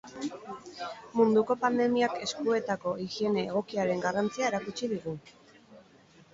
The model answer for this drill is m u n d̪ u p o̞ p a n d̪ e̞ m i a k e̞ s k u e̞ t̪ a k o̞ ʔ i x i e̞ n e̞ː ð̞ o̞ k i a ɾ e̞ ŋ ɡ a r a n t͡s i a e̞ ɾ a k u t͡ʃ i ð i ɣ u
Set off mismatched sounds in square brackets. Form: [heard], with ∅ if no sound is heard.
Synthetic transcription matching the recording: m u n d̪ u [k] o̞ p a n d̪ e̞ m i a k e̞ s k u e̞ t̪ a k o̞ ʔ i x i e̞ n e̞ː [ɣ̞] o̞ k i a ɾ e̞ ŋ ɡ a r a n t͡s i a e̞ ɾ a k u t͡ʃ i ð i ɣ u